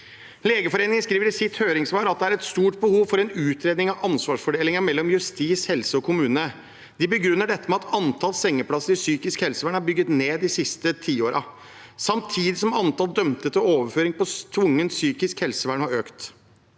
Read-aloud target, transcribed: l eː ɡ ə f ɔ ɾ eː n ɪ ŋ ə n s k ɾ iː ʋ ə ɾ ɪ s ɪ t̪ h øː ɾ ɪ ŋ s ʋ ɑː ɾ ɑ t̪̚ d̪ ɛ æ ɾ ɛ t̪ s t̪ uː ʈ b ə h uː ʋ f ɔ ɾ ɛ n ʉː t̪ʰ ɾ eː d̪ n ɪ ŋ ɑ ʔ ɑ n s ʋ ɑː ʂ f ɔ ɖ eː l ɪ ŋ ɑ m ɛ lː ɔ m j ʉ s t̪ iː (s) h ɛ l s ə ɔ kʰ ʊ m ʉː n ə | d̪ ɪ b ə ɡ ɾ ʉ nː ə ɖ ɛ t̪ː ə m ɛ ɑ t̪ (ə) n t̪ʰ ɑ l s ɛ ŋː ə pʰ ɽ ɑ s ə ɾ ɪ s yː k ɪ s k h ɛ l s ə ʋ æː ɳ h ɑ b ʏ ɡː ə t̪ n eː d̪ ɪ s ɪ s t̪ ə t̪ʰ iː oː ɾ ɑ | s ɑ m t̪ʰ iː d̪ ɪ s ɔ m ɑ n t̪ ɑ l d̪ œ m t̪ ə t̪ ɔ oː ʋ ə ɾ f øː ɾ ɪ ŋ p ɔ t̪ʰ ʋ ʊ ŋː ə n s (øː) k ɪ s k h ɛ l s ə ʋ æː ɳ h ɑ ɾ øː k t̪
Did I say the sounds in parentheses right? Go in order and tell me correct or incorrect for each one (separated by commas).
correct, incorrect, incorrect